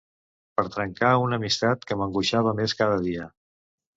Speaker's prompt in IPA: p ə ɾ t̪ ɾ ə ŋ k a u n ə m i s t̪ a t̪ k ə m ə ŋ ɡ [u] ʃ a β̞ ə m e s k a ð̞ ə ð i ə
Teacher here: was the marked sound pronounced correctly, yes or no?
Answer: yes